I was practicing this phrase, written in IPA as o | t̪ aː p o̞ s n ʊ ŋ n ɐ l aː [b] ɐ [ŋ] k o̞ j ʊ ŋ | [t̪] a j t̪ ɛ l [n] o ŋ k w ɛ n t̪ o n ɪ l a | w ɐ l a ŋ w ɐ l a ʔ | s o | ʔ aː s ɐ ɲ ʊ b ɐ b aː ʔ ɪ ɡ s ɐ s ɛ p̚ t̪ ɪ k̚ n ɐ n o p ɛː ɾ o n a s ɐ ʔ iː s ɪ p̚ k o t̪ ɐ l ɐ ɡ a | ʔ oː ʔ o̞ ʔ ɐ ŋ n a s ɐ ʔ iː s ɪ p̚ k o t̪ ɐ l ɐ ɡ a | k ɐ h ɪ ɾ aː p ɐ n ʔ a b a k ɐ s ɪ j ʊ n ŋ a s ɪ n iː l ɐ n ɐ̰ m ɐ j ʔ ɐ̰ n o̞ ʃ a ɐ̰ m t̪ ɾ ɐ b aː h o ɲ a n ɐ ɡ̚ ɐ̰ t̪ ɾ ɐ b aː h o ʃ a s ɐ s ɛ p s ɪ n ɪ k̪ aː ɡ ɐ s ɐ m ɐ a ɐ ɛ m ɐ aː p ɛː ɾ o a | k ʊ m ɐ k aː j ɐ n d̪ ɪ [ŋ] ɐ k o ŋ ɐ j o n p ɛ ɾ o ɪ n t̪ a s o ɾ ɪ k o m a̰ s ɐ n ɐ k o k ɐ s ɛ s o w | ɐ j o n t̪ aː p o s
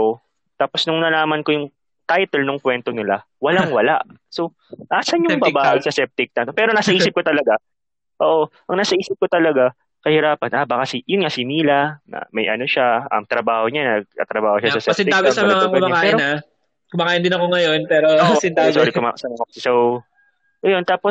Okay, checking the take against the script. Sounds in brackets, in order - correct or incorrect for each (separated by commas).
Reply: incorrect, incorrect, correct, correct, incorrect